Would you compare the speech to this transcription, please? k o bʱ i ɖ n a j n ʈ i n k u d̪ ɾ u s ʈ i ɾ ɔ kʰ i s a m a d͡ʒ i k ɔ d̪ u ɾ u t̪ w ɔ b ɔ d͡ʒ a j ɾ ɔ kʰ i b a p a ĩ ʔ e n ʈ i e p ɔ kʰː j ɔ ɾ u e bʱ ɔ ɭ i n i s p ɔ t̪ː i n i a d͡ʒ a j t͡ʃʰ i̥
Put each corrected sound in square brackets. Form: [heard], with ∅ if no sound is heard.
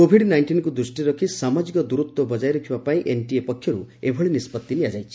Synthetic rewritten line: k o bʱ i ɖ n a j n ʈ i n k u d̪ ɾ u s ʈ i ɾ ɔ kʰ i s a m a d͡ʒ i k ɔ d̪ u ɾ u t̪ w ɔ b ɔ d͡ʒ a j ɾ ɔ kʰ i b a p a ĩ ʔ e n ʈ i e p ɔ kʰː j ɔ ɾ u e bʱ ɔ ɭ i n i s p ɔ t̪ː i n i a d͡ʒ a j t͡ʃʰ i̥